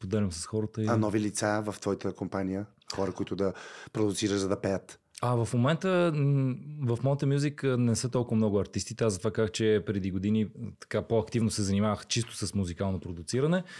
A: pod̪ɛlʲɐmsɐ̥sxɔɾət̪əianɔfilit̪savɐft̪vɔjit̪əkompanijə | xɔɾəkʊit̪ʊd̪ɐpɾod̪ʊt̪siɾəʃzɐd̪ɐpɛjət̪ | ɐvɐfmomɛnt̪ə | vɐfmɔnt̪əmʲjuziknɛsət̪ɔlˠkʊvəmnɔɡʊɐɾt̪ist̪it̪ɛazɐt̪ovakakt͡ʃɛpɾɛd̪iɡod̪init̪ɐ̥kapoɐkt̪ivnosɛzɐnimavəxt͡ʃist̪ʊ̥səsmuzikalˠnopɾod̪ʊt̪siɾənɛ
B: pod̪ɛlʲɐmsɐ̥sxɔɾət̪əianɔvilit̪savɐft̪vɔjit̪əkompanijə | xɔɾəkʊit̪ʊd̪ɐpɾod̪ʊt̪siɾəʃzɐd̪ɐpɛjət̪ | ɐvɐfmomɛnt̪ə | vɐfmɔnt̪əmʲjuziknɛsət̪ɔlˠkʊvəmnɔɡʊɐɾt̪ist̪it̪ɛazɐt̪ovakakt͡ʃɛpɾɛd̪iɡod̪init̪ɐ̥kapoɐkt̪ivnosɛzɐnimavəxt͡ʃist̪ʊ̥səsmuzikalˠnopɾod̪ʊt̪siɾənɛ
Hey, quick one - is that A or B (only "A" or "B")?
B